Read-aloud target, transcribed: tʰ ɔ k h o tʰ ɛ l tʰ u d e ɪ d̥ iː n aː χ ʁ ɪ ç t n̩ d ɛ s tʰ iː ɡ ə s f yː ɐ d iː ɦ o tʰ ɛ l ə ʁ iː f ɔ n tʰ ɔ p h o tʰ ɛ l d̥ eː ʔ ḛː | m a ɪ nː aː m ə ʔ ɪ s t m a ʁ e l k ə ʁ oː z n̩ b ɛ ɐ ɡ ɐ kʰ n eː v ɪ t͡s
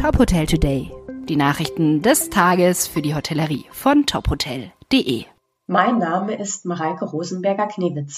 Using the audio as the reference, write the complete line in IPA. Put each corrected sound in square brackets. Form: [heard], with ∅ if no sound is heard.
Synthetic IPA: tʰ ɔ [p] h o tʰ ɛ l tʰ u d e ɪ d̥ iː n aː χ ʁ ɪ ç t n̩ d ɛ s tʰ [aː] ɡ ə s f yː ɐ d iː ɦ o tʰ ɛ l ə ʁ iː f ɔ n tʰ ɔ p h o tʰ ɛ l d̥ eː ʔ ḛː | m a ɪ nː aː m ə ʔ ɪ s t m a ʁ [a] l k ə ʁ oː z n̩ b ɛ ɐ ɡ ɐ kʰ n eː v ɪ t͡s